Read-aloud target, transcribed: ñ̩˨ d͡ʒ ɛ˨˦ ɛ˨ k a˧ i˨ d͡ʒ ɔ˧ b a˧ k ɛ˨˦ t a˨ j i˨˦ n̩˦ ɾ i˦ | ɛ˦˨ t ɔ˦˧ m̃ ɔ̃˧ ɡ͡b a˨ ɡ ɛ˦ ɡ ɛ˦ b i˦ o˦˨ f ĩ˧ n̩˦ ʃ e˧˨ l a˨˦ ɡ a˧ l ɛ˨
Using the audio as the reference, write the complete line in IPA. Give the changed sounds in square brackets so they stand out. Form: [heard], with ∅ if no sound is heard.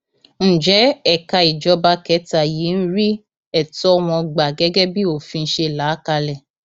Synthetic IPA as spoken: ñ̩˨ d͡ʒ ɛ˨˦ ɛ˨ k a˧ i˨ d͡ʒ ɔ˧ b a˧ k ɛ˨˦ t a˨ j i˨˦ n̩˦ ɾ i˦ | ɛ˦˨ t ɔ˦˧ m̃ ɔ̃˧ ɡ͡b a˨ ɡ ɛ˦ ɡ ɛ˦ b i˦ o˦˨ f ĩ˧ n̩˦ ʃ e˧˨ l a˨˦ [k] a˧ l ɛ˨